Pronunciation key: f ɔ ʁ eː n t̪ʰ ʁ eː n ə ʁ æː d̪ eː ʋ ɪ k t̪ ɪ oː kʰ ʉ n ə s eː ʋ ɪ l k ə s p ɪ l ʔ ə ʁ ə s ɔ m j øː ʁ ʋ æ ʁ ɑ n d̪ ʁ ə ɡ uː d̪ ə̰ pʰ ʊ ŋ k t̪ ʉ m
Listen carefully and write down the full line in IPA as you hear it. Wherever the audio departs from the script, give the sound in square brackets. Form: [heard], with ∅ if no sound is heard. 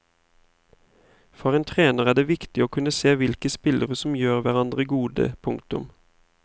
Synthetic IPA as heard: f ɔ ʁ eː n t̪ʰ ʁ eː n ə ʁ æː d̪ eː ʋ ɪ k t̪ ɪ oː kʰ ʉ n ə s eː ʋ ɪ l k ə s p ɪ l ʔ ə ʁ ə s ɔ m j øː ʁ ʋ æ ʁ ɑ n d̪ ʁ ə ɡ uː d̪ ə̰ pʰ ʊ ŋ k t̪ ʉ m